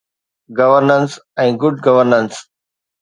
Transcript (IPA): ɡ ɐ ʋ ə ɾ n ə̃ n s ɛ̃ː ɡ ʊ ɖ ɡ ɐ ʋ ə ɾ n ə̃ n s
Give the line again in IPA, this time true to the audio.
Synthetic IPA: ɡ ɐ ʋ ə ɾ n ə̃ n s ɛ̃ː ɡ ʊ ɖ ɡ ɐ ʋ ə ɾ n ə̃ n s